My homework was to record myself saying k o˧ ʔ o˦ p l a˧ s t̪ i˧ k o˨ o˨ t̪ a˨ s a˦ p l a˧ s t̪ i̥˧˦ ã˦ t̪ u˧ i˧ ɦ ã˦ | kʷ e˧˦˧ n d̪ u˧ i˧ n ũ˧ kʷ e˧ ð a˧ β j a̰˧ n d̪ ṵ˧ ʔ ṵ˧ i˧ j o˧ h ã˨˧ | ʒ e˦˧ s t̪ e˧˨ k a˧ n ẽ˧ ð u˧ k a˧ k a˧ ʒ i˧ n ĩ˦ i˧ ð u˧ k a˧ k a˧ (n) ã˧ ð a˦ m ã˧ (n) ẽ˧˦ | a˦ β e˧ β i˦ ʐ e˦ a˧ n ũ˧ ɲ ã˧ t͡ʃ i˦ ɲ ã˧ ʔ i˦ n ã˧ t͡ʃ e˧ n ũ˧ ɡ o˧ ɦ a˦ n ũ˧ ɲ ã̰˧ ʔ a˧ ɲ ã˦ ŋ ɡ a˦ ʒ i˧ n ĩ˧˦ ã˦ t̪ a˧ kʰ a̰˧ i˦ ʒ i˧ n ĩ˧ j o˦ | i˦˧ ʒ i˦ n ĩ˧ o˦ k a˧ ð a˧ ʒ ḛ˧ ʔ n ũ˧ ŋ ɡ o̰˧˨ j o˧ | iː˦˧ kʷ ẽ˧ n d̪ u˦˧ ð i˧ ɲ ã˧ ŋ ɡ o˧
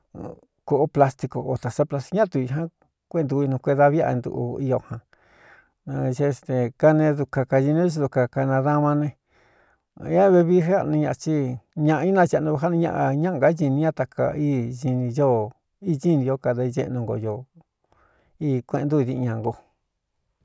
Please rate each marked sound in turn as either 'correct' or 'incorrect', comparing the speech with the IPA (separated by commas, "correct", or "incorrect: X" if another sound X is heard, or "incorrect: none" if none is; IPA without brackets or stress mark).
correct, correct